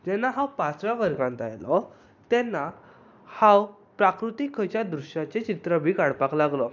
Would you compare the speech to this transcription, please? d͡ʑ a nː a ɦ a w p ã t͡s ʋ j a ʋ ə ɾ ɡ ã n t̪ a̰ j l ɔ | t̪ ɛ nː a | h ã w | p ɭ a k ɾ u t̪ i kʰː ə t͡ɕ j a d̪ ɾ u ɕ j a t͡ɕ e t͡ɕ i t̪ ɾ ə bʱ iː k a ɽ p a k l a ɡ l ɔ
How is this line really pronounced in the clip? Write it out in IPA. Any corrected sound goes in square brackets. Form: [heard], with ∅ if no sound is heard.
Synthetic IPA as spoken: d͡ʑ [ɛ] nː a ɦ a w p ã t͡s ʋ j a ʋ ə ɾ ɡ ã n t̪ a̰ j l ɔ | t̪ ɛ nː a | h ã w | p [ɾ] a k ɾ u t̪ i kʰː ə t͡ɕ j a d̪ ɾ u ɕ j a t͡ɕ e t͡ɕ i t̪ ɾ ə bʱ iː k a ɽ p a k l a ɡ l ɔ